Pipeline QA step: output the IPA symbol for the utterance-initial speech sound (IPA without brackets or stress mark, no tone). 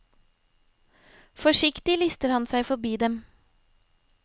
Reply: f